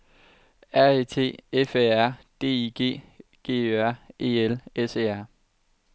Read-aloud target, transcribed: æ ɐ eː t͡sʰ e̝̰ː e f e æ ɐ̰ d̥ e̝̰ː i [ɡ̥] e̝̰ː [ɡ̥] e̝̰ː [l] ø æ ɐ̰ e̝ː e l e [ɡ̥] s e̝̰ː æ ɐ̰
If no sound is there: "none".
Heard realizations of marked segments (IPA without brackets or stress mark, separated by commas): ɡ̥, ɡ̥, none, none